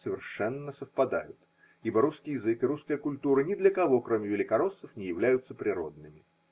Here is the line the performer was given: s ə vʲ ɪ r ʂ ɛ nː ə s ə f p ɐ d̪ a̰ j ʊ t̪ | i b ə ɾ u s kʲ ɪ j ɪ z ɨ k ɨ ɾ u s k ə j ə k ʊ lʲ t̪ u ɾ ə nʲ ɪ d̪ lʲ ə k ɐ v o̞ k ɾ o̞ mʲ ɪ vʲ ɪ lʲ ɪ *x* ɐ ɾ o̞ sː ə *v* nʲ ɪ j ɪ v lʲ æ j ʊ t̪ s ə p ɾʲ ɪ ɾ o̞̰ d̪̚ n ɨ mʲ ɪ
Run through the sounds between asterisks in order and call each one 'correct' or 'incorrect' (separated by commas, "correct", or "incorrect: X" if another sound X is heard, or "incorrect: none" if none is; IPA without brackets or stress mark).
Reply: incorrect: k, incorrect: f